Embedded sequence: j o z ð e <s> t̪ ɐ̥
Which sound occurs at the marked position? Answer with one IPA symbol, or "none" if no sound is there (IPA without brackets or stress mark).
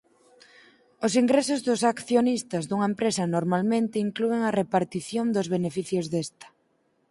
s